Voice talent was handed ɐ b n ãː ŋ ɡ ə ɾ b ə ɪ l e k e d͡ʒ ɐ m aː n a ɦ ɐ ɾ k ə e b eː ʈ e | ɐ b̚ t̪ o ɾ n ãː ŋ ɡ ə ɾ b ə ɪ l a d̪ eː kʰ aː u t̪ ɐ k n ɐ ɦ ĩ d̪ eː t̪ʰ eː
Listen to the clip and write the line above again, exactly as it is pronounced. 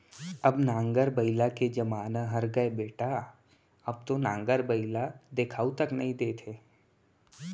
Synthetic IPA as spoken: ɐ b n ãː ŋ ɡ ə ɾ b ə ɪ l a k e d͡ʒ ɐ m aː n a ɦ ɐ ɾ ɡ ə e b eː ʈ a | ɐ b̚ t̪ o n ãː ŋ ɡ ə ɾ b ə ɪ l a d̪ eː kʰ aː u t̪ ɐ k n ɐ ɦ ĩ d̪ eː t̪ʰ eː